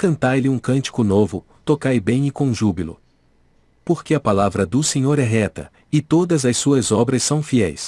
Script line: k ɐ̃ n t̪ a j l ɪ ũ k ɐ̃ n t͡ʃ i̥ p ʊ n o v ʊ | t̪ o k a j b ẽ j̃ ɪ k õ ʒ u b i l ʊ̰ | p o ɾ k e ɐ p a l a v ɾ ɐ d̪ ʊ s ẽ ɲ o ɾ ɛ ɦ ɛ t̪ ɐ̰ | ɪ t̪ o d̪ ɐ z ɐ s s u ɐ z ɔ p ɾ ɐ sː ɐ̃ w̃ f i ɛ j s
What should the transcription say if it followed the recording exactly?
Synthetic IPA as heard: k ɐ̃ n t̪ a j l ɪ ũ k ɐ̃ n t͡ʃ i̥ k ʊ n o v ʊ | t̪ o k a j b ẽ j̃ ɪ k õ ʒ u b i l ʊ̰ | p o ɾ k e ɐ p a l a v ɾ ɐ d̪ ʊ s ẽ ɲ o ɾ ɛ ɦ ɛ t̪ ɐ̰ | ɪ t̪ o d̪ ɐ z ɐ s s u ɐ z ɔ b ɾ ɐ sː ɐ̃ w̃ f i ɛ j s